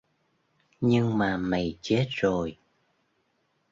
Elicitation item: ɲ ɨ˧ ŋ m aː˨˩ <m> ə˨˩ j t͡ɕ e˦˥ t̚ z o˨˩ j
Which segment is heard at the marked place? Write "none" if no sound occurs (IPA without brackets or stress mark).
m